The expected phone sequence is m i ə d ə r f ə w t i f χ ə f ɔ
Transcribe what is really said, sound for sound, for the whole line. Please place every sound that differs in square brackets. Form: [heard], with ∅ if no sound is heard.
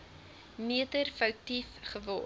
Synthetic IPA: m i ə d ə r f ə w t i f χ ə [v] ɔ